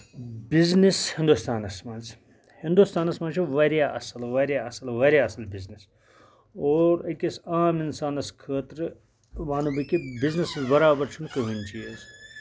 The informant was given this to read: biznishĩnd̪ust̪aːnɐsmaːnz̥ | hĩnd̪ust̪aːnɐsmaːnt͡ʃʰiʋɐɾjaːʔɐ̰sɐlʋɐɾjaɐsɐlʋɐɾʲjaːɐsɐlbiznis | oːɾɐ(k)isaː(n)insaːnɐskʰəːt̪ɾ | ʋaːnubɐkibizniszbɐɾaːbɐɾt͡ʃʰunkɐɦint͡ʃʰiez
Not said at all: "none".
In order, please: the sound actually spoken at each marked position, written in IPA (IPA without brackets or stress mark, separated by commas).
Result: k, m